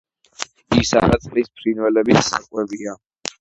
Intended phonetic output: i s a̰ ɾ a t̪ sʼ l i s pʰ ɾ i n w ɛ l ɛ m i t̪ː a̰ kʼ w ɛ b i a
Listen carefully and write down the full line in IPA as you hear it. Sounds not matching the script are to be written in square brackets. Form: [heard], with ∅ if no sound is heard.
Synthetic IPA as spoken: i s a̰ ɾ a t̪ sʼ l i s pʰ ɾ i n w ɛ l ɛ [b] i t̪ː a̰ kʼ w ɛ b i a